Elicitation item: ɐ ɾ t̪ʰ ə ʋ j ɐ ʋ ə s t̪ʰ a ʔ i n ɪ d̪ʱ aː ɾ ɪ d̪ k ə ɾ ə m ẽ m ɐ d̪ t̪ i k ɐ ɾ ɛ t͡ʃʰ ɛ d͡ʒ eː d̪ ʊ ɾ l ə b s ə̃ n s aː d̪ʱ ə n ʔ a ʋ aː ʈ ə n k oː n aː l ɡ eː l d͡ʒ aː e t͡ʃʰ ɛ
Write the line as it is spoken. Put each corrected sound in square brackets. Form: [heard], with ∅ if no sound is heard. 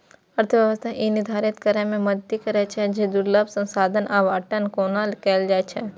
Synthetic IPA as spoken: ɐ ɾ t̪ʰ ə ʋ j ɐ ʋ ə s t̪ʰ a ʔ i n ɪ d̪ʱ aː ɾ ɪ [t̪] k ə ɾ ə m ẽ m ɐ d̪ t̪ i k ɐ ɾ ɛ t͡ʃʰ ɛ d͡ʒ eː d̪ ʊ ɾ l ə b s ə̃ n s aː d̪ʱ ə n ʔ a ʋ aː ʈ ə n k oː n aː l [k] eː l d͡ʒ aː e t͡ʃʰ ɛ

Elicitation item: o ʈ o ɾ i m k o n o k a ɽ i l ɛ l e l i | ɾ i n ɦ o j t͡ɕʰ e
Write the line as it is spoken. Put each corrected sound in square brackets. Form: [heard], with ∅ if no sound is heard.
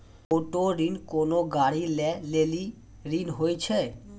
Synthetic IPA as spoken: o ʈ o ɾ i [n] k o n o [ɡ] a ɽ i l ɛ l e l i | ɾ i n ɦ o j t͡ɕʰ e

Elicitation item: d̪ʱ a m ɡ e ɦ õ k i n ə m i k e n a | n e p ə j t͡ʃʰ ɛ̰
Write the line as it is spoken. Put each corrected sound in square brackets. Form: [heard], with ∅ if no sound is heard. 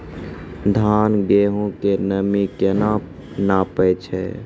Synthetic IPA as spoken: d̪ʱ a [n] ɡ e ɦ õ k [e] n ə m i k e n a | n [a] p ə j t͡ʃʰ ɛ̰

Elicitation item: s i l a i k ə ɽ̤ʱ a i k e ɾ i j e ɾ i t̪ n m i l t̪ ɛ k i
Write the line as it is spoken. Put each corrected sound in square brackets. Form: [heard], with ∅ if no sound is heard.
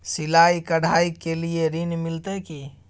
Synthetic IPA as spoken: s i l a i k ə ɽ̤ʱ a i k e [l] i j e ɾ i [∅] n m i l t̪ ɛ k i

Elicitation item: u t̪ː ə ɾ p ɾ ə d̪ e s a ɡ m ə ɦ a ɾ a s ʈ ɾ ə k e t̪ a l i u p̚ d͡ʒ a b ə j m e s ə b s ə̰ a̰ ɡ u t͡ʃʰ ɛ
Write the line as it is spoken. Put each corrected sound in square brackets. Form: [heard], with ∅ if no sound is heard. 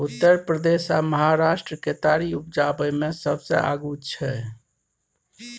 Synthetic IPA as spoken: u t̪ː ə ɾ p ɾ ə d̪ e s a [∅] m ə ɦ a ɾ a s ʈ ɾ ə k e t̪ a [ɾ] i u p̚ d͡ʒ a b ə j m e s ə b s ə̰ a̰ ɡ u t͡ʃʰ ɛ

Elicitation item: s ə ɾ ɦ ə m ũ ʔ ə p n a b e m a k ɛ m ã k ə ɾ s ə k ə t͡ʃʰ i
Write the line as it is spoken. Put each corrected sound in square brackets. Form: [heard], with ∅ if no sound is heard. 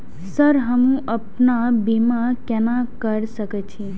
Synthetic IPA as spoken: s ə ɾ ɦ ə m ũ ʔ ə p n a b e m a k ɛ [n] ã k ə ɾ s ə k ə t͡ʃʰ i

